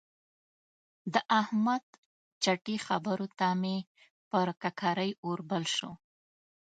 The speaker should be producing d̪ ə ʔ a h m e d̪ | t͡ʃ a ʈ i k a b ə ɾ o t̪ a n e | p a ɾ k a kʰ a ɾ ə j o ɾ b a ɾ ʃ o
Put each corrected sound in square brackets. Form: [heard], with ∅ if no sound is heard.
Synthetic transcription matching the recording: d̪ ə ʔ a h m [a] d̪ | t͡ʃ a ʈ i [x] a b ə ɾ o t̪ a [m] e | p [ə] ɾ k a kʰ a ɾ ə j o ɾ b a [l] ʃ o